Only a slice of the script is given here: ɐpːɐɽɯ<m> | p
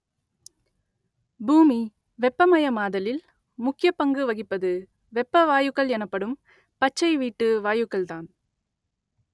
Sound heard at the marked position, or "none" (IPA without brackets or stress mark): m